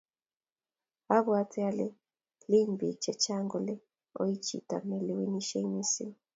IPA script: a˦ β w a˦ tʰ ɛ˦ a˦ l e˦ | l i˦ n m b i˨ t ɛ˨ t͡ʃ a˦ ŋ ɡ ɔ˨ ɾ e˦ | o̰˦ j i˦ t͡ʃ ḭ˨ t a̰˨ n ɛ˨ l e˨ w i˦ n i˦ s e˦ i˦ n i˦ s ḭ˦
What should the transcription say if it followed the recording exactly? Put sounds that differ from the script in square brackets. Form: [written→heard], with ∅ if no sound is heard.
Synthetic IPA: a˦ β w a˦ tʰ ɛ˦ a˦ l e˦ | l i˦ [n→∅] m b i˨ [t→t͡ʃ] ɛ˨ t͡ʃ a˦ ŋ ɡ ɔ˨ [ɾ→l] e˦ | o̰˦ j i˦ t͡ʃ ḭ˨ t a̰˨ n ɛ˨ l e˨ w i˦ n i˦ [s→ʃ] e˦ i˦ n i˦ s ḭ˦